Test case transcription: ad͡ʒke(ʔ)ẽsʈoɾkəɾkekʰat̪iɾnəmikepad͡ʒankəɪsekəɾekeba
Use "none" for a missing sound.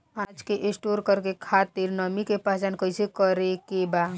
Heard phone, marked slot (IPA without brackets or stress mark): ʔ